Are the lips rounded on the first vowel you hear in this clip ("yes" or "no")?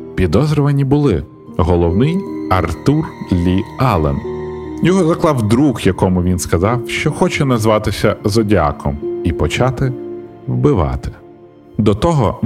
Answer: no